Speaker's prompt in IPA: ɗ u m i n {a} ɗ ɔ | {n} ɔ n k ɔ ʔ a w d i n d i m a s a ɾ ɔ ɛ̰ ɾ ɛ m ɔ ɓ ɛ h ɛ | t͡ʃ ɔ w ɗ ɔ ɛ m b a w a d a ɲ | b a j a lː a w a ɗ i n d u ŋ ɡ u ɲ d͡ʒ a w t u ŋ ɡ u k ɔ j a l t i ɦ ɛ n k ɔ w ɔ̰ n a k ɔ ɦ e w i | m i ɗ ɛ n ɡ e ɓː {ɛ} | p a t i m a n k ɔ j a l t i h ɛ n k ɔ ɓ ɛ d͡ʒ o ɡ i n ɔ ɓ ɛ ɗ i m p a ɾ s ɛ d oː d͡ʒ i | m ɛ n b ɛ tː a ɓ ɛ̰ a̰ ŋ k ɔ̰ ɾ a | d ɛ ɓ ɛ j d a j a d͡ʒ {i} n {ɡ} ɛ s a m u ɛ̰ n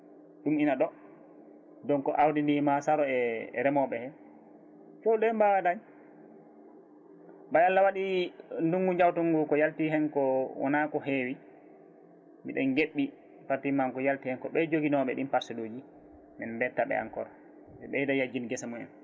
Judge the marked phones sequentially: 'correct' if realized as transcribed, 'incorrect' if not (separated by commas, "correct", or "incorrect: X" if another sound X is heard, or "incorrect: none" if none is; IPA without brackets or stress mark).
correct, incorrect: d, incorrect: i, correct, correct